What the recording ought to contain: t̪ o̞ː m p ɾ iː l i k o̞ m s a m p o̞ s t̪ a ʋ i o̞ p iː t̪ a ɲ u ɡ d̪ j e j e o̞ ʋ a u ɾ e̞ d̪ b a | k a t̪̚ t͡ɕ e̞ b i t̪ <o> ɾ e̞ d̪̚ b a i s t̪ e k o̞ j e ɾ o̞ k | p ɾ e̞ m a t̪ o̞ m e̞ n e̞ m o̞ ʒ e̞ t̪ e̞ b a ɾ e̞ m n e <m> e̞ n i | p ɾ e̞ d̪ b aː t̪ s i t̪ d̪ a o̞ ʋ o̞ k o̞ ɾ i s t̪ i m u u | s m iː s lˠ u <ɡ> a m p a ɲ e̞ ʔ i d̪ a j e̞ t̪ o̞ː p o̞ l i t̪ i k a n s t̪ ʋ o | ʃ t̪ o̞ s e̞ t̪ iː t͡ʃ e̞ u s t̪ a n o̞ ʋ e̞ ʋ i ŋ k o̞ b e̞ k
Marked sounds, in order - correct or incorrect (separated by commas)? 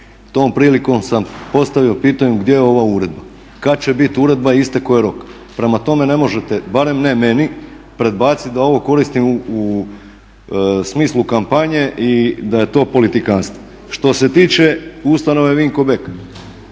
incorrect, correct, incorrect